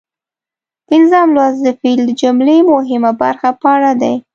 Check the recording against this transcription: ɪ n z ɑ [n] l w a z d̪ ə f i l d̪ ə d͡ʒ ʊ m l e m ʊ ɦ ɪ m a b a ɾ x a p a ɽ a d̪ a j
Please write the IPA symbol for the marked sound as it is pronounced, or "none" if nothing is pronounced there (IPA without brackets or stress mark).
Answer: m